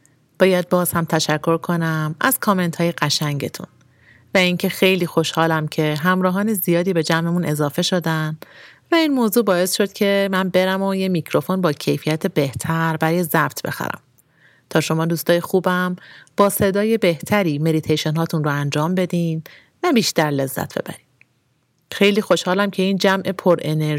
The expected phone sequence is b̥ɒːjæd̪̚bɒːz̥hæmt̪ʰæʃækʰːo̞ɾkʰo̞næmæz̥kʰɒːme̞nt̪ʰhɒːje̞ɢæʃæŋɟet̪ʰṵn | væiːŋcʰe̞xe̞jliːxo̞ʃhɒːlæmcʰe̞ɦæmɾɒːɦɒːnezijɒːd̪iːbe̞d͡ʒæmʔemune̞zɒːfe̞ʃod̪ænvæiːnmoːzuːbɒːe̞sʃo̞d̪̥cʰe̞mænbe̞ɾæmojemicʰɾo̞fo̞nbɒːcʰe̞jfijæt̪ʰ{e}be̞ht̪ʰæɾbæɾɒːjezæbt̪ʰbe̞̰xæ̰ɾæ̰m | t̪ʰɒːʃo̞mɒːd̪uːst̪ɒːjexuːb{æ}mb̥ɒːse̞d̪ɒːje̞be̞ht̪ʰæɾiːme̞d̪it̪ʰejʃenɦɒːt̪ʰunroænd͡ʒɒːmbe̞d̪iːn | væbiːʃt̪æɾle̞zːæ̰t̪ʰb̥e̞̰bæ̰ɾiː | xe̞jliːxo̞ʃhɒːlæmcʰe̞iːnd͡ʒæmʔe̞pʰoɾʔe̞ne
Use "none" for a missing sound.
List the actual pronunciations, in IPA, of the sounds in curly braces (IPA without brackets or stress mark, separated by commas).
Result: e, æ